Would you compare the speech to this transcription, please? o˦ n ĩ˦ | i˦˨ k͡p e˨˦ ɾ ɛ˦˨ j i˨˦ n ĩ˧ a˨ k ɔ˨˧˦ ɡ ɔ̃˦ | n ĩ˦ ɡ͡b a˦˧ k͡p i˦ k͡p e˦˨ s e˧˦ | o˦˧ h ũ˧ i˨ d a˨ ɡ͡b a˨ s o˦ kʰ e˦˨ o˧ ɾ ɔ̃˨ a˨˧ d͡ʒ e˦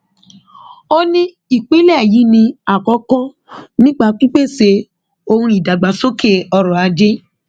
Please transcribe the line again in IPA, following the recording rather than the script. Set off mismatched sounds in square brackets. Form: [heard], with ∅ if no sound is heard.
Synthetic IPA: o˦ n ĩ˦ | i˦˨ k͡p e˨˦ [l] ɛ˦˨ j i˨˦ n ĩ˧ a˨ k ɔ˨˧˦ [k] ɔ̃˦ | n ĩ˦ ɡ͡b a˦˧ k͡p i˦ k͡p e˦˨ s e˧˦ | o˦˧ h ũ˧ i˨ d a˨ ɡ͡b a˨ s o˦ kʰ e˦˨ [ɔ˧] ɾ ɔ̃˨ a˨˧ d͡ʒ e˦